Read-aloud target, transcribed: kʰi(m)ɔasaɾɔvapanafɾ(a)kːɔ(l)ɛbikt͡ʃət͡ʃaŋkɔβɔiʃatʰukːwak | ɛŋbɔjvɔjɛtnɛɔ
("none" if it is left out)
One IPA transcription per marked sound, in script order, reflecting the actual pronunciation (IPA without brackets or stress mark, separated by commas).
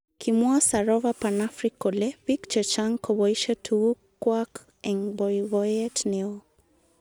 m, i, l